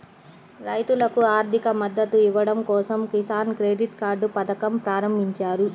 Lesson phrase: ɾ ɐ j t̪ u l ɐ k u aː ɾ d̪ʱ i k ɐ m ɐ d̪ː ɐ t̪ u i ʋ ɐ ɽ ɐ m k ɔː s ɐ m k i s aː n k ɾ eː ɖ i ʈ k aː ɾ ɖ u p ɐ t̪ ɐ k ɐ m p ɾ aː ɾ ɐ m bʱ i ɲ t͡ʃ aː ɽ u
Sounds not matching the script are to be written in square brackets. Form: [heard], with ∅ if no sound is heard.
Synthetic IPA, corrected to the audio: ɾ ɐ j t̪ u l ɐ k u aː ɾ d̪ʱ i k ɐ m ɐ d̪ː ɐ t̪ u i ʋ ɐ ɽ ɐ m k ɔː s ɐ m k i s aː n k ɾ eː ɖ i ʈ k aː ɾ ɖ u p ɐ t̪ ɐ k ɐ m p ɾ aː ɾ ɐ m bʱ i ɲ t͡ʃ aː [ɾ] u